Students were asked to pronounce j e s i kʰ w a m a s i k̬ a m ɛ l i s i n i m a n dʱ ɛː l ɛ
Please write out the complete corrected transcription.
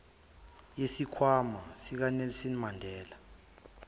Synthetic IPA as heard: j e s i kʰ w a m a s i k̬ a n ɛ l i s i n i m a n dʱ ɛː l a